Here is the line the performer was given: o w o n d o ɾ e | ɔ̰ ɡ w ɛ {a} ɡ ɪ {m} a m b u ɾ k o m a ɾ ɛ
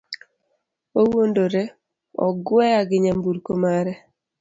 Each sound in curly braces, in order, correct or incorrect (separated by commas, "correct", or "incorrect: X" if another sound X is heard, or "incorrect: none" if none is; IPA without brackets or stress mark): correct, incorrect: ɲ